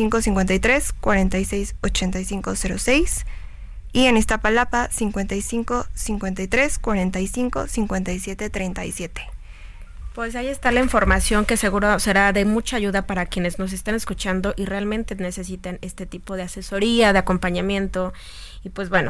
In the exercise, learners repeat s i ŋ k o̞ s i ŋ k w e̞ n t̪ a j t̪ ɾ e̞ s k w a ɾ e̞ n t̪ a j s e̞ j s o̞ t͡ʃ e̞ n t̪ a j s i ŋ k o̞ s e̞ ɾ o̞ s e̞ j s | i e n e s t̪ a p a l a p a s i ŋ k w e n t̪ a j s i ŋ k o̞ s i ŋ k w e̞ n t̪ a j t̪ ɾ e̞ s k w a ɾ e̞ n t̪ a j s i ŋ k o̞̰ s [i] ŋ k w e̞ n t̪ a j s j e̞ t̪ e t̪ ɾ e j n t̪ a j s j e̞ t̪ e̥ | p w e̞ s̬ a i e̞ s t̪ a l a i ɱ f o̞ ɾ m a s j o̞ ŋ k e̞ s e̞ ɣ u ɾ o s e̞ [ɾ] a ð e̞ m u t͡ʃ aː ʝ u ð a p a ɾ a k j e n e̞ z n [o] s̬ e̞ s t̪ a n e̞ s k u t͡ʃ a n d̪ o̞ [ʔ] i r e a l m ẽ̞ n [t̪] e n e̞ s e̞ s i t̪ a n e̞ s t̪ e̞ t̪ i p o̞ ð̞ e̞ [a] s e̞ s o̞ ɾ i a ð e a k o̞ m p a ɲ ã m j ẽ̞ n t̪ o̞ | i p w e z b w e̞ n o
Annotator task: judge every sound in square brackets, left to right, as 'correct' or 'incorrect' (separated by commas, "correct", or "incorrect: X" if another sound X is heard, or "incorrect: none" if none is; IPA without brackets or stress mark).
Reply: correct, correct, correct, correct, correct, correct